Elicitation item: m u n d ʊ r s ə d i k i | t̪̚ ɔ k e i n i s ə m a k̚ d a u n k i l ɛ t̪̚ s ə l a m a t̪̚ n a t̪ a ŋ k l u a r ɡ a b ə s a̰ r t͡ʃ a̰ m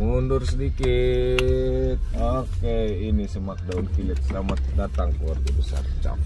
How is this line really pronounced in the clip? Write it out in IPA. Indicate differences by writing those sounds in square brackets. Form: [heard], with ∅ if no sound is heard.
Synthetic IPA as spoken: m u n d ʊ r s ə d i k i | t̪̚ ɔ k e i n i s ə m a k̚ d a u n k i l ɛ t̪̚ s ə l a m a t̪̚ [d] a t̪ a ŋ k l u a r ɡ a b ə s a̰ r t͡ʃ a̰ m